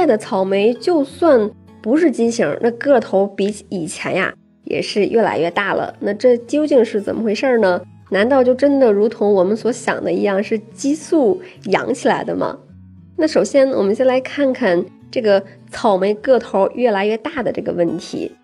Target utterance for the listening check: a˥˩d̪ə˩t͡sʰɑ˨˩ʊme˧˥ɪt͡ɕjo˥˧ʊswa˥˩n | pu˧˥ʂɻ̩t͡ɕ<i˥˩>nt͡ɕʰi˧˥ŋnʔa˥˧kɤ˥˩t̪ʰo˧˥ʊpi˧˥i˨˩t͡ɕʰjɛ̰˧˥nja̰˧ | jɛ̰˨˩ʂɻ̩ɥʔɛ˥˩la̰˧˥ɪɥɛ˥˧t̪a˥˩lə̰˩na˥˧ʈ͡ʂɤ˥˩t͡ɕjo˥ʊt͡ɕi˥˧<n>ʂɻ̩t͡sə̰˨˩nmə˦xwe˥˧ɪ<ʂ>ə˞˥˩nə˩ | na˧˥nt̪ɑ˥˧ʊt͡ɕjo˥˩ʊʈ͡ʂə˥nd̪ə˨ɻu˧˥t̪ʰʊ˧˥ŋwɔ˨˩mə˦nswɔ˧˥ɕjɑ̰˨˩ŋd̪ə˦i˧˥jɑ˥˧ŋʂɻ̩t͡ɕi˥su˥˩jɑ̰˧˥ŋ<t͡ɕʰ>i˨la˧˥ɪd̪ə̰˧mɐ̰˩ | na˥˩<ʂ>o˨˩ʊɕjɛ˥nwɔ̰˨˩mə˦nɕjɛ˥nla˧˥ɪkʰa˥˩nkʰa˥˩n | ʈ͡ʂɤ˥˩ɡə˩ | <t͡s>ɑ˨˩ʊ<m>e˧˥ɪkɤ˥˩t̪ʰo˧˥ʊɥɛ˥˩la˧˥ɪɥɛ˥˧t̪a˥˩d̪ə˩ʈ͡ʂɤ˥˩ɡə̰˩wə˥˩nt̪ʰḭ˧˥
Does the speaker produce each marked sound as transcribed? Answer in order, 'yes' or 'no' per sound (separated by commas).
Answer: no, no, yes, yes, yes, no, yes